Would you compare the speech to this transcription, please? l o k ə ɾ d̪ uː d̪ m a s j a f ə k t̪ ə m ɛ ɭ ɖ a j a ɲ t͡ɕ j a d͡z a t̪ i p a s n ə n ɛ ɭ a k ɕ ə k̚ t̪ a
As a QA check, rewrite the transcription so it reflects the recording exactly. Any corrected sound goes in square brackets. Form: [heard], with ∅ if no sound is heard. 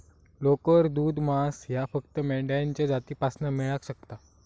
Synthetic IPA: l o k ə ɾ d̪ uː d̪ m a s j a f ə k t̪ ə m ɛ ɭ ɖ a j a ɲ t͡ɕ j a d͡z a t̪ [iː] p a s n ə [m] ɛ ɭ a k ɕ ə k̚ t̪ a